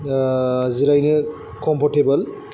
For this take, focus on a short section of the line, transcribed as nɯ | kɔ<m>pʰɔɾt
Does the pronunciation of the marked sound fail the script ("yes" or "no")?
no